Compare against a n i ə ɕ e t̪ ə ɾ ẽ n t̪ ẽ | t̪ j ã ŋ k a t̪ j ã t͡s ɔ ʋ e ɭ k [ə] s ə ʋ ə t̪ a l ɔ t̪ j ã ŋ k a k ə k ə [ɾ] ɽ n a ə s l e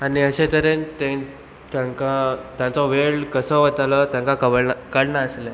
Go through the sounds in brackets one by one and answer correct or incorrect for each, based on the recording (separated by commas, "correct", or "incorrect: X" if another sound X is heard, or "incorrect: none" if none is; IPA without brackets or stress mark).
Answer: correct, incorrect: none